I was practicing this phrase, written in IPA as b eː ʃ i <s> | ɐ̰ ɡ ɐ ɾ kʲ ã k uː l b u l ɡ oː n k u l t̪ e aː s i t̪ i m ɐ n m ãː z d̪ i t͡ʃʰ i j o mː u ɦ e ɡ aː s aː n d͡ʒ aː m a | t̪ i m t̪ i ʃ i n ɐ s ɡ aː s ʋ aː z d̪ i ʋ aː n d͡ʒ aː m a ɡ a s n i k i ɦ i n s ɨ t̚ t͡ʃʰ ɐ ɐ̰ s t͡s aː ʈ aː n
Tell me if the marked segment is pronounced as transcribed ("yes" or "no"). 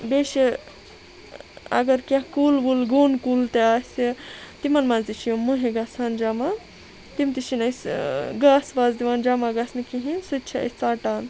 no